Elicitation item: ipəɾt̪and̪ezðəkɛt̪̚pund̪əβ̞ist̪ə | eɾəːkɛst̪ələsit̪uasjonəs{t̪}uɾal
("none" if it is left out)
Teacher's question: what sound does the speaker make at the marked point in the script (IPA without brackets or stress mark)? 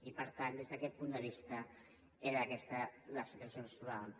t̪